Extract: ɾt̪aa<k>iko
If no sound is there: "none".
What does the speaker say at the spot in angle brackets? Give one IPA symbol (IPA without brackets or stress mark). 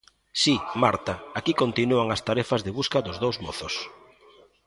k